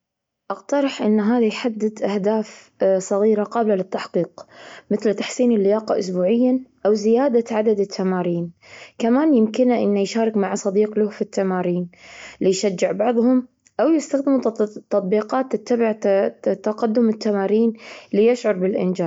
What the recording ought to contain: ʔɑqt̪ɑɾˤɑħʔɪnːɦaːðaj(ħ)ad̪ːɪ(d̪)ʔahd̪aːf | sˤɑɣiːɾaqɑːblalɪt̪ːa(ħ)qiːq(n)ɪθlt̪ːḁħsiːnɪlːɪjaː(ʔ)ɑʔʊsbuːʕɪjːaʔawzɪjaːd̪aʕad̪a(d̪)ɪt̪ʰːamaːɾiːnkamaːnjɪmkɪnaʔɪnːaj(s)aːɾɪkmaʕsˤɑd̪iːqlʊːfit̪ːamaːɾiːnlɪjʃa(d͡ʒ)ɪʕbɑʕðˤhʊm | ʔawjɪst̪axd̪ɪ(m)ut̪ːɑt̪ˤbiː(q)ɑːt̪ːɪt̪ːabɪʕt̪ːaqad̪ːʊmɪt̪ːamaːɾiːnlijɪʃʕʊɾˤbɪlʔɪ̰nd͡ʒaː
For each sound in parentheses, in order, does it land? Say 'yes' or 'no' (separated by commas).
yes, yes, yes, no, no, yes, no, no, yes, yes